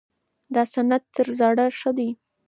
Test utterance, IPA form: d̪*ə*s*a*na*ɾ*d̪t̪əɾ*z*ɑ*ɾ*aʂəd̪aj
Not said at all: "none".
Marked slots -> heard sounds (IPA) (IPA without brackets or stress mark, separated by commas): ɑ, a, none, z, ɽ